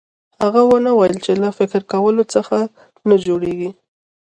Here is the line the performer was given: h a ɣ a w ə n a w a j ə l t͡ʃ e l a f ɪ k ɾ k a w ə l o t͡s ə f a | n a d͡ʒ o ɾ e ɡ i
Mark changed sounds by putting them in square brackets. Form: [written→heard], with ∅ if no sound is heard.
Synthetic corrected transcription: h a ɣ a w ə n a w a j ə l t͡ʃ e l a f ɪ k ɾ k a w ə l o t͡s ə [f→x] a | n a d͡ʒ o [ɾ→ɽ] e ɡ i